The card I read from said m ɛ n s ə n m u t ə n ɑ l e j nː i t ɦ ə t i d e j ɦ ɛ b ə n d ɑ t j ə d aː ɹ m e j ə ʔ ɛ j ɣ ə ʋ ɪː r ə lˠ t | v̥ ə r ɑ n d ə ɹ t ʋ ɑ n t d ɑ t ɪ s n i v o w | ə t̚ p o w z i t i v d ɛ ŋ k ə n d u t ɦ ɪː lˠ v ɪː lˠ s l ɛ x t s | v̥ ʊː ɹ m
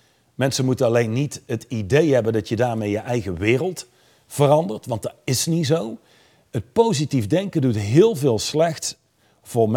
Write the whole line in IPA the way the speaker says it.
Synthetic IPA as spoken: m ɛ n s ə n m u t ə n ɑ l e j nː i t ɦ ə t i d e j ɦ ɛ b ə n d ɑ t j ə d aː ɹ m e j ə ʔ ɛ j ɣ ə ʋ ɪː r ə lˠ t | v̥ ə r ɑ n d ə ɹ t ʋ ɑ n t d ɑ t ɪ s n i z o w | ə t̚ p o w z i t i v d ɛ ŋ k ə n d u t ɦ ɪː lˠ v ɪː lˠ s l ɛ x t s | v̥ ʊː ɹ m